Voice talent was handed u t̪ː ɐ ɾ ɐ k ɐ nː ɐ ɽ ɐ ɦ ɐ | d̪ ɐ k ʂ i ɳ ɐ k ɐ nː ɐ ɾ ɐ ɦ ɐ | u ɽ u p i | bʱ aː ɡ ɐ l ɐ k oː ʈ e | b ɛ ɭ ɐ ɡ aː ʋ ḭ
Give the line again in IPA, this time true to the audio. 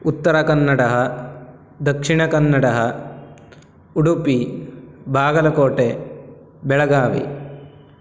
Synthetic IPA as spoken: u t̪ː ɐ ɾ ɐ k ɐ nː ɐ ɽ ɐ ɦ ɐ | d̪ ɐ k ʂ i ɳ ɐ k ɐ nː ɐ ɽ ɐ ɦ ɐ | u ɽ u p i | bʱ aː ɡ ɐ l ɐ k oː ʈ e | b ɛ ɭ ɐ ɡ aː ʋ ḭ

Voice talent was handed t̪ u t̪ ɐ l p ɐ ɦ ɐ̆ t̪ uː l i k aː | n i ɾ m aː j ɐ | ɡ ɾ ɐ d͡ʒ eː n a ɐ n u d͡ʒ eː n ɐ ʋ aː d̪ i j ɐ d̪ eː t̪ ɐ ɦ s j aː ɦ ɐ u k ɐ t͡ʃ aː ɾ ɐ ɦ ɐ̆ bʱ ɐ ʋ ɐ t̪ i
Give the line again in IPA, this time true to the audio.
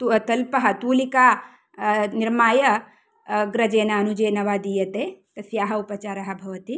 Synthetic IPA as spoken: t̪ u t̪ ɐ l p ɐ ɦ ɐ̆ t̪ uː l i k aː | n i ɾ m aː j ɐ | ɡ ɾ ɐ d͡ʒ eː n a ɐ n u d͡ʒ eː n ɐ ʋ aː d̪ i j ɐ t̪ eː t̪ ɐ s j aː ɦ ɐ u p ɐ t͡ʃ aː ɾ ɐ ɦ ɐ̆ bʱ ɐ ʋ ɐ t̪ i

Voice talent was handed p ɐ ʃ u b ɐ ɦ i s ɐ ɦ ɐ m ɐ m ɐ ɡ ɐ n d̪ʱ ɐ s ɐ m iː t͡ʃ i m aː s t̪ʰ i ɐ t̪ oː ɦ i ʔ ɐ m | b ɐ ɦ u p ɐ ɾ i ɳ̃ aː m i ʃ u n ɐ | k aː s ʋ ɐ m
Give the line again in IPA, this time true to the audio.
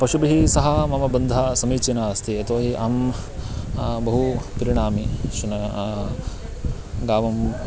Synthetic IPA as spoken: p ɐ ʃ u b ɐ ɦ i s ɐ ɦ ɐ m ɐ m ɐ b ɐ n d̪ʱ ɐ s ɐ m iː t͡ʃ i n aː s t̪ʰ i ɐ t̪ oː ɦ i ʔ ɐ m | b ɐ ɦ u p ɐ ɾ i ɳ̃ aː m i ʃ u n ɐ | ɡ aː ʋ ɐ m

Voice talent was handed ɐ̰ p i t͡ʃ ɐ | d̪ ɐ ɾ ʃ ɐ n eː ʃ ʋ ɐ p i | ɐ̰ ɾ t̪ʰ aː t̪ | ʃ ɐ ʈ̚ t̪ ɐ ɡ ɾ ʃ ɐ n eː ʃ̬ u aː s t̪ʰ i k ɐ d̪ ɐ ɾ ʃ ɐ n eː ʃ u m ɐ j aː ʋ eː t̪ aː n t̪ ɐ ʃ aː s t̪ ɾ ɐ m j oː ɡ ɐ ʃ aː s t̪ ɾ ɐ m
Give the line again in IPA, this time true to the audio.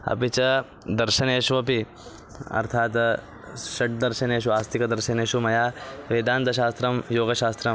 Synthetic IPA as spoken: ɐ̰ p i t͡ʃ ɐ | d̪ ɐ ɾ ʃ ɐ n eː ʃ ʋ ɐ p i | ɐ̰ ɾ t̪ʰ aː t̪ | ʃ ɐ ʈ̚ d̪ ɐ ɾ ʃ ɐ n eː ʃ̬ u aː s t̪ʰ i k ɐ d̪ ɐ ɾ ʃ ɐ n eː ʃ u m ɐ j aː ʋ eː d̪ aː n t̪ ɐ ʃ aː s t̪ ɾ ɐ m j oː ɡ ɐ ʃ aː s t̪ ɾ ɐ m

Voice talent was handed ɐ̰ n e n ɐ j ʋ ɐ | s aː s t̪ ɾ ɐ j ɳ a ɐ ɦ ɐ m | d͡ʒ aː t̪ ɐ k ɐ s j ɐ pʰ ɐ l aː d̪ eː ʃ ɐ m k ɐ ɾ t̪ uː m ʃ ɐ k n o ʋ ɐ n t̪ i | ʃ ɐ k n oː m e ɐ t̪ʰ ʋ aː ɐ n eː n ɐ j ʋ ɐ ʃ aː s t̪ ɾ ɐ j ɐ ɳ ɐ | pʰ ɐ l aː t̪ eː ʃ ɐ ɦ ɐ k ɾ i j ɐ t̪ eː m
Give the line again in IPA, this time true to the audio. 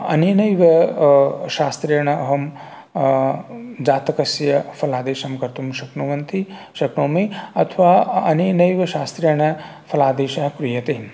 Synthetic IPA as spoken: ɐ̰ n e n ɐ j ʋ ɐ | ʃ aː s t̪ ɾ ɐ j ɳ ɐ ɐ ɦ ɐ m | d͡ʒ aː t̪ ɐ k ɐ s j ɐ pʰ ɐ l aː d̪ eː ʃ ɐ m k ɐ ɾ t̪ u m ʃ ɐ k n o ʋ ɐ n t̪ i | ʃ ɐ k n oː m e ɐ t̪ʰ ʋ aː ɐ n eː n ɐ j ʋ ɐ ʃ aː s t̪ ɾ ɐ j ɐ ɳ ɐ | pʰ ɐ l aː d̪ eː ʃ ɐ ɦ ɐ k ɾ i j ɐ t̪ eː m

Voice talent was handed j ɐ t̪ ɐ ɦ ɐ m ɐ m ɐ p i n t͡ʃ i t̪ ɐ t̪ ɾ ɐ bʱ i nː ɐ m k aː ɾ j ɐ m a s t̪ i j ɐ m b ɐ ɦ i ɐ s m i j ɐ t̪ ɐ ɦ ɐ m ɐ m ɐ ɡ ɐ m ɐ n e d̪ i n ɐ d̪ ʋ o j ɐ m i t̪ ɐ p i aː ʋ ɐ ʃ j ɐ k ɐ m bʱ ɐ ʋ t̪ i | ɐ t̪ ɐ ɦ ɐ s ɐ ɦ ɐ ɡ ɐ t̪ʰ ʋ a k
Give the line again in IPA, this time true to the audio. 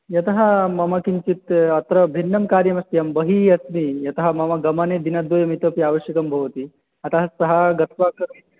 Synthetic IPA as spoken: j ɐ t̪ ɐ ɦ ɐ m ɐ m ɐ k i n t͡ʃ i t̪ ɐ t̪ ɾ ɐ bʱ i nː ɐ m k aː ɾ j ɐ m ɐ s t̪ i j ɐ m b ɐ ɦ i ɐ s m i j ɐ t̪ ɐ ɦ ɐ m ɐ m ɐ ɡ ɐ m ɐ n e d̪ i n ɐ d̪ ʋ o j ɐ m i t̪ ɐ p i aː ʋ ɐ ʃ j ɐ k ɐ m bʱ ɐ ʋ t̪ i | ɐ t̪ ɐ ɦ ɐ s ɐ ɦ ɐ ɡ ɐ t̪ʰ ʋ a k

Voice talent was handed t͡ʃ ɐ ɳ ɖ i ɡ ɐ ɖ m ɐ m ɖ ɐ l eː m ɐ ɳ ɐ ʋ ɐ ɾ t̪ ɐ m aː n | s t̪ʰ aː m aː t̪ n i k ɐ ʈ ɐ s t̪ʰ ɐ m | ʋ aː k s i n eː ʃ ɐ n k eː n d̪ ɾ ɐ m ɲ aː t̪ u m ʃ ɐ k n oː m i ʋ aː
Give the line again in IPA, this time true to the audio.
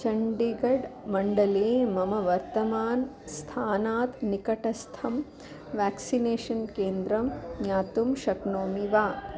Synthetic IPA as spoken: t͡ʃ ɐ ɳ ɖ i ɡ ɐ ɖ m ɐ ɳ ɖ ɐ l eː m ɐ m ɐ ʋ ɐ ɾ t̪ ɐ m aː n | s t̪ʰ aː n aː t̪ n i k ɐ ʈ ɐ s t̪ʰ ɐ m | ʋ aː k s i n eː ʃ ɐ n k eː n d̪ ɾ ɐ m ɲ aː t̪ u m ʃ ɐ k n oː m i ʋ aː

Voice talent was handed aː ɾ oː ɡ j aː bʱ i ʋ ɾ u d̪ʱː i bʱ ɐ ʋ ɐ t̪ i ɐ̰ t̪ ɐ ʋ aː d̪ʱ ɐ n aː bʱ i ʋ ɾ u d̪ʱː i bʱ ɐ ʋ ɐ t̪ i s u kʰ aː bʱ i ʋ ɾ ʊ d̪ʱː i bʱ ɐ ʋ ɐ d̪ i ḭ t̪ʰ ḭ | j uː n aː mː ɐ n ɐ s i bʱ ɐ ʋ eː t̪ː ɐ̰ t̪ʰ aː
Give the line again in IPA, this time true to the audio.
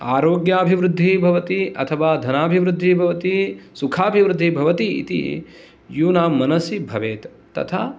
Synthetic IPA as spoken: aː ɾ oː ɡ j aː bʱ i ʋ ɾ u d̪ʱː i bʱ ɐ ʋ ɐ t̪ i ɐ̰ t̪ʰ ɐ ʋ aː d̪ʱ ɐ n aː bʱ i ʋ ɾ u d̪ʱː i bʱ ɐ ʋ ɐ t̪ i s u kʰ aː bʱ i ʋ ɾ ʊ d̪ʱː i bʱ ɐ ʋ ɐ t̪ i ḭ t̪ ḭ | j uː n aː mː ɐ n ɐ s i bʱ ɐ ʋ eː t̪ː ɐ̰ t̪ʰ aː

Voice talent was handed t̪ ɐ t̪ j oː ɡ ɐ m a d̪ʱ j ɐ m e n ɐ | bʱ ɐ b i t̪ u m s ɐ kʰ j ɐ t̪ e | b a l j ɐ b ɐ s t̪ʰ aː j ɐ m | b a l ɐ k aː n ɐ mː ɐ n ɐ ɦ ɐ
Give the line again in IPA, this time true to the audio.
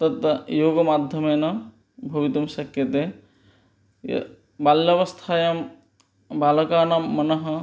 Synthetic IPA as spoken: t̪ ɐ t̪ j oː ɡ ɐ m a d̪ʱ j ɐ m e n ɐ | bʱ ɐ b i t̪ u m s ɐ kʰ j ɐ t̪ e | b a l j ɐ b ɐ s t̪ʰ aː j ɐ m | b a l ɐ k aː n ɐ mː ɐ n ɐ ɦ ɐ

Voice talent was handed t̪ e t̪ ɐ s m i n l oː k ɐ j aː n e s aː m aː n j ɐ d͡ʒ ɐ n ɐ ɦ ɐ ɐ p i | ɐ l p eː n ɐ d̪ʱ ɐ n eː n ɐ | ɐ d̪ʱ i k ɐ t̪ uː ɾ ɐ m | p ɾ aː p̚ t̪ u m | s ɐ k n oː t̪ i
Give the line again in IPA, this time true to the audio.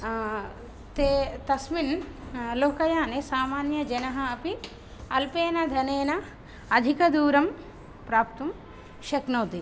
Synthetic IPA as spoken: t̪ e t̪ ɐ s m i n l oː k ɐ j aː n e s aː m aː n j ɐ d͡ʒ ɐ n ɐ ɦ ɐ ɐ p i | ɐ l p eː n ɐ d̪ʱ ɐ n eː n ɐ | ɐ d̪ʱ i k ɐ d̪ uː ɾ ɐ m | p ɾ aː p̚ t̪ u m | ʃ ɐ k n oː t̪ i

